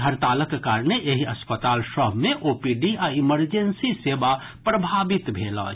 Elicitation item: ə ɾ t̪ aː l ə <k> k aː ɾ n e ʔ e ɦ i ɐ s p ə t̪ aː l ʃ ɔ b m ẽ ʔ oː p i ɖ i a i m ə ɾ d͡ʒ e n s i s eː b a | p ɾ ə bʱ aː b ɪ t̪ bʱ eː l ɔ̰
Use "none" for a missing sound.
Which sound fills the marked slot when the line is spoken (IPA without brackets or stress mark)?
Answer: k